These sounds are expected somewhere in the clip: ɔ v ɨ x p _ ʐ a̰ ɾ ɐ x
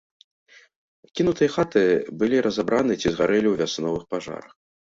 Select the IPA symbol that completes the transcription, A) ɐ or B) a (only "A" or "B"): B